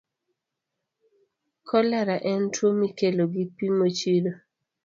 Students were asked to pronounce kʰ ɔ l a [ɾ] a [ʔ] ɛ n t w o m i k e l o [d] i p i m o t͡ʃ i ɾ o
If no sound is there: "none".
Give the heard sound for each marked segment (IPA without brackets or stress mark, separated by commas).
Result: ɾ, ʔ, ɡ